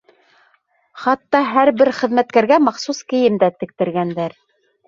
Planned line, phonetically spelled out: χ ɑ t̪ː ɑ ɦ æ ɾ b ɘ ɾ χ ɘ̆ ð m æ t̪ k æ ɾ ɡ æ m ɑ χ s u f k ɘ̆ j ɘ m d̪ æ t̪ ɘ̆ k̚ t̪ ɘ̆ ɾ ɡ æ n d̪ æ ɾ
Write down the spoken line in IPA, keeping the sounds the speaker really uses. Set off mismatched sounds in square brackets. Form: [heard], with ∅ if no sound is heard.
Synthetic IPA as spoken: χ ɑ t̪ː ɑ ɦ æ ɾ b ɘ ɾ χ ɘ̆ ð m æ t̪ k æ ɾ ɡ æ m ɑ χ s u [s] k ɘ̆ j ɘ m d̪ æ t̪ ɘ̆ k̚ t̪ ɘ̆ ɾ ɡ æ n d̪ æ ɾ